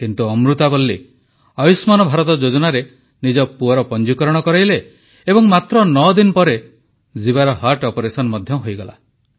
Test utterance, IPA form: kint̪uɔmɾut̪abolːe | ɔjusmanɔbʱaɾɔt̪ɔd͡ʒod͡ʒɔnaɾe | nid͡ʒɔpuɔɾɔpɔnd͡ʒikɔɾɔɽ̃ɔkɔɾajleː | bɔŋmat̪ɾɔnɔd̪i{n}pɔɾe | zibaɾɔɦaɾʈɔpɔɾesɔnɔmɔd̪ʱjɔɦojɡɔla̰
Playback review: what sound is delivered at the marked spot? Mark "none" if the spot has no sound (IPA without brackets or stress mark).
n